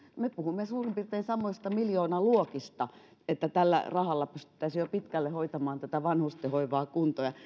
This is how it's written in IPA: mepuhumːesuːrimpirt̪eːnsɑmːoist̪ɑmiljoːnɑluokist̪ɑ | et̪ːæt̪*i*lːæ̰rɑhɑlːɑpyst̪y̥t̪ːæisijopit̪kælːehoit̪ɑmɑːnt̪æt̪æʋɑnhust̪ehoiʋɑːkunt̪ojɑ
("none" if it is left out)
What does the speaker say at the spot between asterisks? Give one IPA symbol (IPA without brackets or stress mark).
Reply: æ